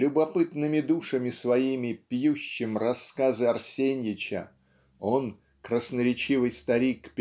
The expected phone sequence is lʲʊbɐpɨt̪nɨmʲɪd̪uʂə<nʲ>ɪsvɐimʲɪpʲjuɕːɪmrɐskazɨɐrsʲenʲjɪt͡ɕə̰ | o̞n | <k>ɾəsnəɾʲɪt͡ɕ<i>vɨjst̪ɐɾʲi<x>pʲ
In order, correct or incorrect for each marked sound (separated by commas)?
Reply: incorrect, correct, correct, incorrect